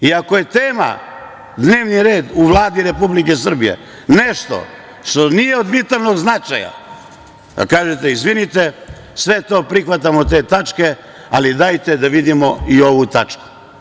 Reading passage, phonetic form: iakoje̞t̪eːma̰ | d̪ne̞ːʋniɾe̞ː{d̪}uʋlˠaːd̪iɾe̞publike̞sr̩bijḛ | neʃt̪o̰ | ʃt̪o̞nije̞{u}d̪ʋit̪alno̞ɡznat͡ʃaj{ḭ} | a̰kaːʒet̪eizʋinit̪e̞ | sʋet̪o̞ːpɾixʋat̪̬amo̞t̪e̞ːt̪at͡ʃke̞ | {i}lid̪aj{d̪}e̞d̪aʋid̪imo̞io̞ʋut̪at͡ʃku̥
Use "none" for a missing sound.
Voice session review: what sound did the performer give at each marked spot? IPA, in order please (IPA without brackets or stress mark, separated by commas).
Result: d̪, o, a̰, a, t̪